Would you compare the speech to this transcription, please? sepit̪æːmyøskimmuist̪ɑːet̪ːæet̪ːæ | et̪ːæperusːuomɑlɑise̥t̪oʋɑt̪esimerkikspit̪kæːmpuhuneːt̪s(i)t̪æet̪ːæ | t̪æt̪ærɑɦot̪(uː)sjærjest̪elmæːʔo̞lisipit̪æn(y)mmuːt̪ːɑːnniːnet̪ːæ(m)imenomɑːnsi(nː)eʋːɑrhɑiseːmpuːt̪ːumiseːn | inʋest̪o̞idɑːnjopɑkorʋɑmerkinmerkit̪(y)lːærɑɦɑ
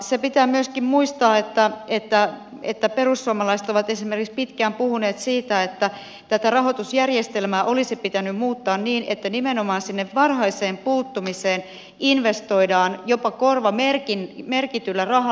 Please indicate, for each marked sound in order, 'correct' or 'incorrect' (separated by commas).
incorrect, incorrect, correct, incorrect, correct, correct